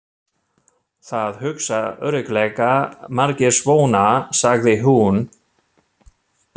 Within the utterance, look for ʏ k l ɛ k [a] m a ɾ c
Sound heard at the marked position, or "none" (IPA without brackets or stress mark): a